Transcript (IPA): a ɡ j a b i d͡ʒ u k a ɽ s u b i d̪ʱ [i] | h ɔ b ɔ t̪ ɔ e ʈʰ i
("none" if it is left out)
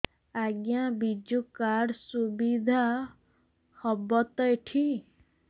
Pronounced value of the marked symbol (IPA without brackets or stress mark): a